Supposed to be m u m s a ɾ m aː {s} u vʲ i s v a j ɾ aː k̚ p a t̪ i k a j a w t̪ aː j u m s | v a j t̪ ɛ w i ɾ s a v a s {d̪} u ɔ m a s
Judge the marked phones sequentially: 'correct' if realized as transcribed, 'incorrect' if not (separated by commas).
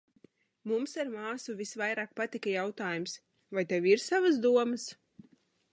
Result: correct, correct